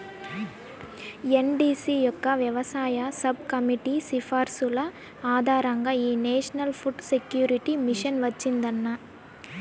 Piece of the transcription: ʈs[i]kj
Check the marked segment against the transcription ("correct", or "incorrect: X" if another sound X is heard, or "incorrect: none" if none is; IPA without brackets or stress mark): incorrect: e